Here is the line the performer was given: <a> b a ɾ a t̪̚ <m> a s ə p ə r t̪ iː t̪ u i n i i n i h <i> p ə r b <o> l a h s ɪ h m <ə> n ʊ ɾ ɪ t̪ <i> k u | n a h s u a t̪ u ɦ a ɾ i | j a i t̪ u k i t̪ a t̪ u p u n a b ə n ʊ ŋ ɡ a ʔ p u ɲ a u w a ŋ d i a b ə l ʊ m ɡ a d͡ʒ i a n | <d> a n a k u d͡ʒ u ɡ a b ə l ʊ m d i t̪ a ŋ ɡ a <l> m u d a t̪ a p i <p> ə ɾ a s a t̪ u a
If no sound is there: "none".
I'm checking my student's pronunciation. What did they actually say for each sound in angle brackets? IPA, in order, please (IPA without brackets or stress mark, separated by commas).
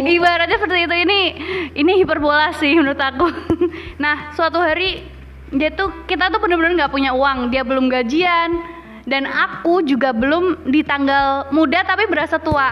i, ɲ, i, o, ə, a, d, l, b